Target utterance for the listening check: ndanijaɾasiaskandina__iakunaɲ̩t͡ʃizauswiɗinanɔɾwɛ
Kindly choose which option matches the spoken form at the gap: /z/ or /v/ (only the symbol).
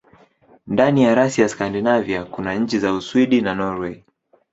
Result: v